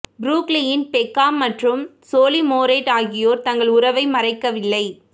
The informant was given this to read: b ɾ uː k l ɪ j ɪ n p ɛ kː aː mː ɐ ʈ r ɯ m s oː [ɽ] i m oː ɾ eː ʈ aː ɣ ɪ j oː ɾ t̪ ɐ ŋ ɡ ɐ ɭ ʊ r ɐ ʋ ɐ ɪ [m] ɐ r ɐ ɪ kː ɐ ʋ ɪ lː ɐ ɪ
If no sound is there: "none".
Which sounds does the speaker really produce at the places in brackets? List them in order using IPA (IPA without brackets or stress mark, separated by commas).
l, m